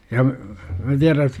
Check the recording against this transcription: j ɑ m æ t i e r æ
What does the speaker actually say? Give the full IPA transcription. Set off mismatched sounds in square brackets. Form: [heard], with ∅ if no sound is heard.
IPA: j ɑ m æ t i [æ] r æ